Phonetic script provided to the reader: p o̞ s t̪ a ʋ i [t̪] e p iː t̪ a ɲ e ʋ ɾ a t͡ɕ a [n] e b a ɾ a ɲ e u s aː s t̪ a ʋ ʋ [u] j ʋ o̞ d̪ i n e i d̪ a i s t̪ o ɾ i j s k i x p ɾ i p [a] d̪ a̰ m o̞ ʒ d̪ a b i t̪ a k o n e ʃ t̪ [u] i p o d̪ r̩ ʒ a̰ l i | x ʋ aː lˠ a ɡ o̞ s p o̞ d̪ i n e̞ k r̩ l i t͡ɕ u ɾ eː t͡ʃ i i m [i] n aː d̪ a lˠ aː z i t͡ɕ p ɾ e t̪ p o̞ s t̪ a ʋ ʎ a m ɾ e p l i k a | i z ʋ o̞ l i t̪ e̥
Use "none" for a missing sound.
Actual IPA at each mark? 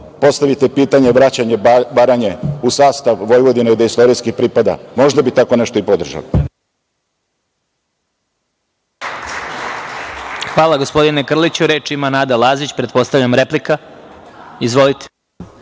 t̪, ɲ, o, a, o, a

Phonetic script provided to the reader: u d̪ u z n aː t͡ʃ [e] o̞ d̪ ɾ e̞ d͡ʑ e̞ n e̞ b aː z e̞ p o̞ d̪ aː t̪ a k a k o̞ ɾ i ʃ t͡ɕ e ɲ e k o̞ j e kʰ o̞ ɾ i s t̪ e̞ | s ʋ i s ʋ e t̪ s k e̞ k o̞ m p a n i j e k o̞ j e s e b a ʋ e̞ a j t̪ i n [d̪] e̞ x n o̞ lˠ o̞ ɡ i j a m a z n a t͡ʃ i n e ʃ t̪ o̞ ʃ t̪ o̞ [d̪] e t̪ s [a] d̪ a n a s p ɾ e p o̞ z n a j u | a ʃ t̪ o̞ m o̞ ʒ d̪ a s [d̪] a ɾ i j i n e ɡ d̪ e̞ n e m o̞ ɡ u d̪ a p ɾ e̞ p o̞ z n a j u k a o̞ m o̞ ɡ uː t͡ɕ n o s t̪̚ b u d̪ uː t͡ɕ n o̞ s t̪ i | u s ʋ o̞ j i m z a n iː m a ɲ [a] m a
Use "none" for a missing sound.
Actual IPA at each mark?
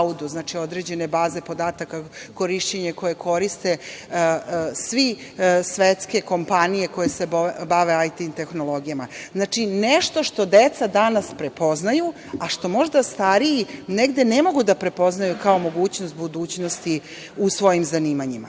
i, t̪, d̪, a, t̪, i

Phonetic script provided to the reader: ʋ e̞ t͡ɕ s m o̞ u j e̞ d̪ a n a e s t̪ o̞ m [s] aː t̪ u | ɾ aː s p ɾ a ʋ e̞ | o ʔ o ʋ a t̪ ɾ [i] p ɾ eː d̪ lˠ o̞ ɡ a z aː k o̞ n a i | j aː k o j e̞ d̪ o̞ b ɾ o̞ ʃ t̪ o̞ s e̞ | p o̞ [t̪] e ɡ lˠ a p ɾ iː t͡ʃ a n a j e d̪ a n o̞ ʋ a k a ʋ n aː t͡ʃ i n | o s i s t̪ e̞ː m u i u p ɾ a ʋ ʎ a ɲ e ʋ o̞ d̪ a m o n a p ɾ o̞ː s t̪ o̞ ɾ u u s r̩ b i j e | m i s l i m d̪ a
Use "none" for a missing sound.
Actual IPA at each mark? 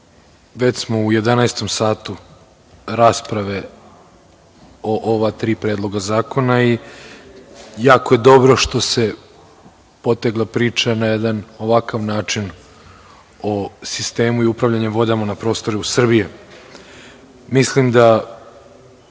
s, iː, t̪

